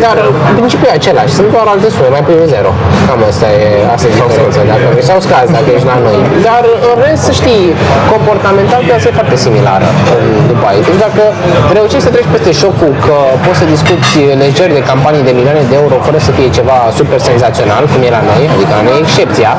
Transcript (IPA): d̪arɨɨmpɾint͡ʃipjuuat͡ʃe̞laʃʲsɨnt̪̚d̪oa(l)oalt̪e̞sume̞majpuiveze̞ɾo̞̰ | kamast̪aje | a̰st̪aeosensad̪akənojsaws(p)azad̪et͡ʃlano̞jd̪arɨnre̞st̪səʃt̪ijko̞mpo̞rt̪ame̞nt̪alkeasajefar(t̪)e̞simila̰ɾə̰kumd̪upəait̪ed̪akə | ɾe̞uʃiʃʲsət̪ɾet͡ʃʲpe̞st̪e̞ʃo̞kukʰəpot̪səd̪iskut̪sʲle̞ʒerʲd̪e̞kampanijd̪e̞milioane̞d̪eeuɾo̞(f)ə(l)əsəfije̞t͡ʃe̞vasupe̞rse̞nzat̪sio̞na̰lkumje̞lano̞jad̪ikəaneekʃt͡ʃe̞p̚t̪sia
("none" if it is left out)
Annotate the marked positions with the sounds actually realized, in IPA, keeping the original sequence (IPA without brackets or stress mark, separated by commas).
ɾ, k, t̪, f, ɾ